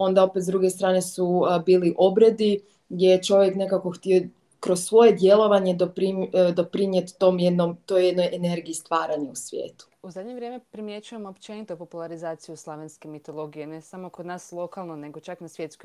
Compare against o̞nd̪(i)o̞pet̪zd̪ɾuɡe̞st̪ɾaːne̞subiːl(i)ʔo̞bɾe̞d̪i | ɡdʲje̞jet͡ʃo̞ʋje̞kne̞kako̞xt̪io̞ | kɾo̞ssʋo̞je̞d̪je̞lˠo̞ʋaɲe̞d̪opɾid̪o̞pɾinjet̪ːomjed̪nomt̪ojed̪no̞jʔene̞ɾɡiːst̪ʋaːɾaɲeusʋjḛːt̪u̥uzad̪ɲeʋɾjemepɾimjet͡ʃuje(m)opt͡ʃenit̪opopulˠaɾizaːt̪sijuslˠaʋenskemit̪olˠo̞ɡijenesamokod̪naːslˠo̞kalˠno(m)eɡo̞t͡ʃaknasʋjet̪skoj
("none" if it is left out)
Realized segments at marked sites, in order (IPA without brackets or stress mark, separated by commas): a, i, m, n